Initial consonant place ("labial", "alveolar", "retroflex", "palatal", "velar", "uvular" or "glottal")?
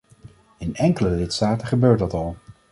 alveolar